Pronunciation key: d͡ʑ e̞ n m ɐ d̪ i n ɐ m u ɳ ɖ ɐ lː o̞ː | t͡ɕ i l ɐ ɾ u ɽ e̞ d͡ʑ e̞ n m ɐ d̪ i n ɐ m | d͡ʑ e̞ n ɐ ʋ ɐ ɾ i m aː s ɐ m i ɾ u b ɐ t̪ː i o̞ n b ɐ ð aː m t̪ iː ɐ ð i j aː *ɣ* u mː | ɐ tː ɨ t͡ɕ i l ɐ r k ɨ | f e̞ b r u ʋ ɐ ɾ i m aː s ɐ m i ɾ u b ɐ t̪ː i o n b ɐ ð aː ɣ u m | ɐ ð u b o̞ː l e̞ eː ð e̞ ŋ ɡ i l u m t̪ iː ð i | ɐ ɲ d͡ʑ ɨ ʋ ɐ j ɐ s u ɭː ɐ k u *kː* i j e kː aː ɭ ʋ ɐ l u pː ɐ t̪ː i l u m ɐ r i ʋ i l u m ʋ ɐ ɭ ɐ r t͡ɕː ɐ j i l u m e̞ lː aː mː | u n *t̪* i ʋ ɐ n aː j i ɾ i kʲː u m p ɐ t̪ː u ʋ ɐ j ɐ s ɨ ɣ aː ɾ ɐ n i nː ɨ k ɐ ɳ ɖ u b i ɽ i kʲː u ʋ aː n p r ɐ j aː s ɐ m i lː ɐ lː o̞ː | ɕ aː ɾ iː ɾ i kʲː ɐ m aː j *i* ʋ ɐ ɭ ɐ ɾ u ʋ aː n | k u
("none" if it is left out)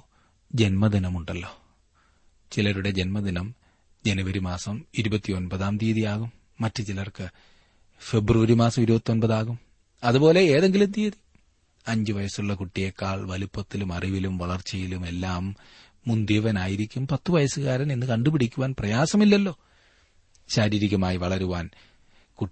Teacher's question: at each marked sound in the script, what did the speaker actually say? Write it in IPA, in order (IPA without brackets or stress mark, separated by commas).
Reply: ɣ, ʈː, d̪, i